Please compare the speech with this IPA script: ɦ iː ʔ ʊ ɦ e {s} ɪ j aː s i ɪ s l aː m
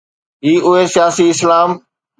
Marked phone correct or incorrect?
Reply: correct